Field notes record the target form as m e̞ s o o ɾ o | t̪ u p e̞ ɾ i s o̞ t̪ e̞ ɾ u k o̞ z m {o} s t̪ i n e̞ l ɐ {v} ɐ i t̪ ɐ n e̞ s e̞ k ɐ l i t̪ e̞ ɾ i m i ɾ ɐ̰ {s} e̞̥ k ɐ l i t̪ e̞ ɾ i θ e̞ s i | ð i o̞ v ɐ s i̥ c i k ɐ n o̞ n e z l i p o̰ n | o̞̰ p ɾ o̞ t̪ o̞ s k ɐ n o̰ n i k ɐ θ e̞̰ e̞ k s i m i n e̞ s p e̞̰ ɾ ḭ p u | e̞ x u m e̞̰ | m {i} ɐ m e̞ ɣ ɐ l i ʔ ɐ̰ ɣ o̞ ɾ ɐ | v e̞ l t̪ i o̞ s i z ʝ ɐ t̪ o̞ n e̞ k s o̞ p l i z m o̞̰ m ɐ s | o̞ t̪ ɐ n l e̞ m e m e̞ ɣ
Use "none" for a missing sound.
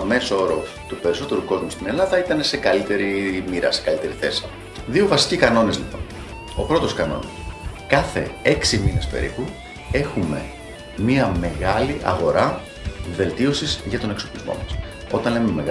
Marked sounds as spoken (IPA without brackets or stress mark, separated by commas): u, ð, s, i